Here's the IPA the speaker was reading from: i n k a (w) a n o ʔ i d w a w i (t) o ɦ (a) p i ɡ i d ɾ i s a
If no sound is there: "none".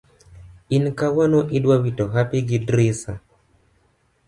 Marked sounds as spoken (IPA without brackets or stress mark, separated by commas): w, t, a